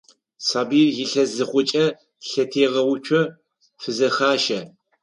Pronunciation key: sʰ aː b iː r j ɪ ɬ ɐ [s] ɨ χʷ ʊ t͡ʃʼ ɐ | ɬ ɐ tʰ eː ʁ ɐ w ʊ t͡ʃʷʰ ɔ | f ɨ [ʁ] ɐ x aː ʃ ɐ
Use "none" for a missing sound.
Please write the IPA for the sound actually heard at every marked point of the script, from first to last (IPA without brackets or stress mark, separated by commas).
z, z